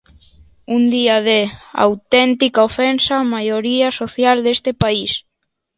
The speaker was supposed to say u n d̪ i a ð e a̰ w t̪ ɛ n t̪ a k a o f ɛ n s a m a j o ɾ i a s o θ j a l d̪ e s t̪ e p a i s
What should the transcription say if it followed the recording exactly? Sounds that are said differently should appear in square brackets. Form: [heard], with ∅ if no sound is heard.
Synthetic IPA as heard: u n d̪ i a ð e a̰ w t̪ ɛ n t̪ [i] k a o f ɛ n s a m a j o ɾ i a s o θ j a l d̪ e s t̪ e p a i s